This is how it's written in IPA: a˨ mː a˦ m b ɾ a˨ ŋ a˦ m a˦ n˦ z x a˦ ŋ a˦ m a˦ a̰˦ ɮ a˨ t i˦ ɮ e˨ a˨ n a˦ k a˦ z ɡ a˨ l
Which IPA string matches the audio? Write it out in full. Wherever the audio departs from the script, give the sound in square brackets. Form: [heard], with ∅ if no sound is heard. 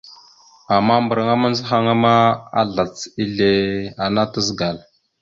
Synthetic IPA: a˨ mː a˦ m b ɾ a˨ ŋ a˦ m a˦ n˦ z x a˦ ŋ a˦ m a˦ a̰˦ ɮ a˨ [t͡s] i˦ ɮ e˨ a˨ n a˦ [t] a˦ z ɡ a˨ l